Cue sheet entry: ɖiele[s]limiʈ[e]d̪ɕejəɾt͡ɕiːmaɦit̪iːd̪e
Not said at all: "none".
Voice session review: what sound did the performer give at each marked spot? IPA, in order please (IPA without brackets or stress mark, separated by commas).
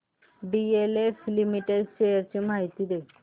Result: f, e